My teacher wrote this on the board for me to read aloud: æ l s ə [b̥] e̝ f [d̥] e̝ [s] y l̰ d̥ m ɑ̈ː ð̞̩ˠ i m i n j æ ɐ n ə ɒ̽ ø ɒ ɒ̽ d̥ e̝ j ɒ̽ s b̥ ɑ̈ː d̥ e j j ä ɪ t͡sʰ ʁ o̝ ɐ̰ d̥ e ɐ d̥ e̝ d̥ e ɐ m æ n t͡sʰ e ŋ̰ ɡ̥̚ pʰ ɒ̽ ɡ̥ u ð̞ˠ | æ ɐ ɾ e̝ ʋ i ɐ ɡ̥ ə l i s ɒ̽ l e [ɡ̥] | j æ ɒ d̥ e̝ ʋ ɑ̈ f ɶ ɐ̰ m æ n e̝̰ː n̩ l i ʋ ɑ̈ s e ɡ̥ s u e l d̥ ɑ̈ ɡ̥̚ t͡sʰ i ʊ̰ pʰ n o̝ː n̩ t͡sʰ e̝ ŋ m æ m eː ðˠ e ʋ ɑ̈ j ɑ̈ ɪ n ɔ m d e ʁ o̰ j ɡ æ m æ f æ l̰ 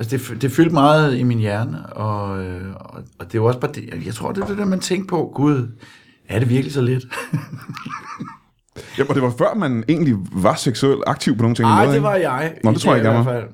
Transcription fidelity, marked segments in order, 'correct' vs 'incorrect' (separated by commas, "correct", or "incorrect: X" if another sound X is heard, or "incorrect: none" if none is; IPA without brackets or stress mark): incorrect: d̥, correct, incorrect: f, incorrect: d̥